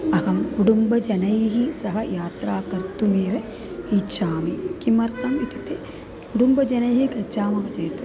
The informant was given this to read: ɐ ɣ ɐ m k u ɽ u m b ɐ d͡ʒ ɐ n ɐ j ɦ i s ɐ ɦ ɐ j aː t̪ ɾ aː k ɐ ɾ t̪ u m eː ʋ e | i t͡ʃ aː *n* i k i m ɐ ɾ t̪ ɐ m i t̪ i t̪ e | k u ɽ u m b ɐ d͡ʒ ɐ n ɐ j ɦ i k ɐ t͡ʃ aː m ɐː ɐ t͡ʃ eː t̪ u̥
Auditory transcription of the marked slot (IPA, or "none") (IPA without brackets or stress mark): m